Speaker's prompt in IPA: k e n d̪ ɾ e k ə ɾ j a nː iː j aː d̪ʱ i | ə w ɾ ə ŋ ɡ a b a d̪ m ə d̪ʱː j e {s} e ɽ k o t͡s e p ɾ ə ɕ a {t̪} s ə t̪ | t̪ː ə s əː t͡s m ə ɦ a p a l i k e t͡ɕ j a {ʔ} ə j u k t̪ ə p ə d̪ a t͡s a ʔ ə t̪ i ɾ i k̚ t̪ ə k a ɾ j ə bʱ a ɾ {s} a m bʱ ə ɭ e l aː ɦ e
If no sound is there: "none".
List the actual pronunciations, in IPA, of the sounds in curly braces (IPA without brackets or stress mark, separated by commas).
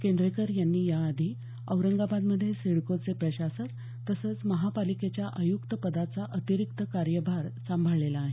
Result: s, none, ʔ, s